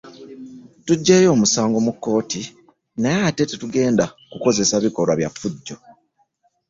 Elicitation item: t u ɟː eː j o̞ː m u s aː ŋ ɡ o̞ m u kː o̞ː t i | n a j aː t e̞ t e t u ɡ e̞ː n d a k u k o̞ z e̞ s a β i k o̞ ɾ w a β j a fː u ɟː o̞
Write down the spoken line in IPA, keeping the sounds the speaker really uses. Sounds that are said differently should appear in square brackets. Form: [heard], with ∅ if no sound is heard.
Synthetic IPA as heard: t u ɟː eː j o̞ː m u s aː ŋ ɡ o̞ m u kː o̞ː t i | n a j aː t e̞ t e t u ɡ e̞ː n d a k u k o̞ z e̞ s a β i k o̞ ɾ w a β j a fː u ɟː o̞